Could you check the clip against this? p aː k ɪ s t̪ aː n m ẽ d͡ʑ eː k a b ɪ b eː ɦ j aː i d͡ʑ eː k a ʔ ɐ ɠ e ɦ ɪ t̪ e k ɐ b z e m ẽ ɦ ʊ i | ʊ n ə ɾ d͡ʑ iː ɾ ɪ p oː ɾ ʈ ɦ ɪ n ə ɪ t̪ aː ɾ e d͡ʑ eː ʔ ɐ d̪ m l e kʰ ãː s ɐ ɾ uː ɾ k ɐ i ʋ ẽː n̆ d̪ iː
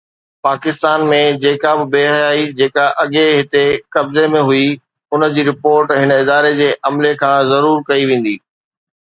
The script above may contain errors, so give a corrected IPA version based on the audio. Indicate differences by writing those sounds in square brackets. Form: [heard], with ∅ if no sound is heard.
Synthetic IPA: p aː k ɪ s t̪ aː n m ẽ d͡ʑ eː k a b ɪ b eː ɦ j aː i d͡ʑ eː k a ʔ ɐ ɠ e ɦ ɪ t̪ e k ɐ b z e m ẽ ɦ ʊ i | ʊ n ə [∅] d͡ʑ iː ɾ ɪ p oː ɾ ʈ ɦ ɪ n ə ɪ [d̪] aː ɾ e d͡ʑ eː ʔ ɐ [∅] m l e kʰ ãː [z] ɐ ɾ uː ɾ k ɐ i ʋ ẽː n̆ d̪ iː